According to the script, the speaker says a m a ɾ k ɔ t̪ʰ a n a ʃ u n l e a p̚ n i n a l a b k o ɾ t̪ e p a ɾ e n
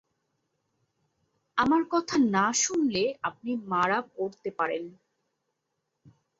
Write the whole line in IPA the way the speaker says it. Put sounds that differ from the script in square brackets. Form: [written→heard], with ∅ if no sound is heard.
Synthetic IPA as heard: a m a ɾ k ɔ t̪ʰ a n a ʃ u n l e a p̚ n i [n→m] a [l→ɾ] a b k o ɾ t̪ e p a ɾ e n